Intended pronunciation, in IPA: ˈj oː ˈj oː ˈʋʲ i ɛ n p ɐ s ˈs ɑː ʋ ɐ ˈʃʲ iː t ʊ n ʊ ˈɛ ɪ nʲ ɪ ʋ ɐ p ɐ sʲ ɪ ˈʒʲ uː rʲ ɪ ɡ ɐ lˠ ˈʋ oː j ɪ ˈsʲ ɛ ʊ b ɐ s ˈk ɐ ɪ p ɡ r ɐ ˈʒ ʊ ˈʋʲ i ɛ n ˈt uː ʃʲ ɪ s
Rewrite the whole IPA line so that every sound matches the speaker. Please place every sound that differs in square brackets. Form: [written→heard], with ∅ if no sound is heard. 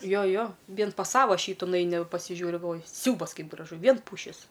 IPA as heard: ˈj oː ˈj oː ˈʋʲ i ɛ n p ɐ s ˈs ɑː ʋ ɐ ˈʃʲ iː t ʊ n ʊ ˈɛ ɪ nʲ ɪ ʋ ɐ p ɐ sʲ ɪ ˈʒʲ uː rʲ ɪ ɡ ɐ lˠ ˈʋ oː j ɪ ˈsʲ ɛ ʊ b ɐ s ˈk ɐ ɪ p ɡ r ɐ ˈʒ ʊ ˈʋʲ i ɛ n [ˈt→ˈp] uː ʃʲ ɪ s